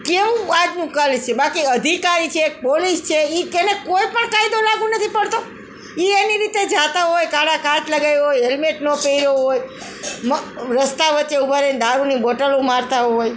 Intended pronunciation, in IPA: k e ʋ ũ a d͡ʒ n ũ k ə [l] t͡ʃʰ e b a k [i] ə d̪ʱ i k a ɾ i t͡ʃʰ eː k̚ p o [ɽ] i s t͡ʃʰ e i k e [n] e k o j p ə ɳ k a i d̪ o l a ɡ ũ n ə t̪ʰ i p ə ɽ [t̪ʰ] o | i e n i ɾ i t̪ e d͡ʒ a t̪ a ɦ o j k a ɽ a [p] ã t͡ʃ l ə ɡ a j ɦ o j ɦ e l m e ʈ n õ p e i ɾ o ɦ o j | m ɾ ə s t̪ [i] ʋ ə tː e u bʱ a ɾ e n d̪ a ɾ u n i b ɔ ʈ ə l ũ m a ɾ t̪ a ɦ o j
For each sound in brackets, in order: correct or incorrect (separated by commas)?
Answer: correct, correct, incorrect, correct, incorrect, incorrect, incorrect